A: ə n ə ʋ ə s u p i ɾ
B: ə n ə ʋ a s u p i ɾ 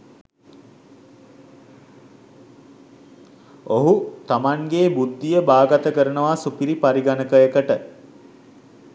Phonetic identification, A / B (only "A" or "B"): B